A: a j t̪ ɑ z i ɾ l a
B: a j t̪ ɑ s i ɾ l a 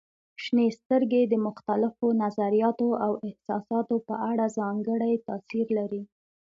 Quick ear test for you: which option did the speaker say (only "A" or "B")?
B